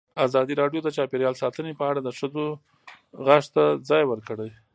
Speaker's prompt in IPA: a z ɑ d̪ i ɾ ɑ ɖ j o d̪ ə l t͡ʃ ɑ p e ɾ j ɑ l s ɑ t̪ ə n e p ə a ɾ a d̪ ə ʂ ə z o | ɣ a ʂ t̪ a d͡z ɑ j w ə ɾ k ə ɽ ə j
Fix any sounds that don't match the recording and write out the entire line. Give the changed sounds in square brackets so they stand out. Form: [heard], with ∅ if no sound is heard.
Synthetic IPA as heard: a z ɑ d̪ i ɾ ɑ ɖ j o d̪ ə [∅] t͡ʃ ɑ p e ɾ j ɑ l s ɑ t̪ ə n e p ə a [ɽ] a d̪ ə ʂ ə z o | ɣ a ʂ t̪ a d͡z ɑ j w ə ɾ k ə ɽ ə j